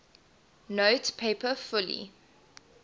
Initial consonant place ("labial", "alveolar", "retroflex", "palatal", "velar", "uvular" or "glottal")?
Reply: alveolar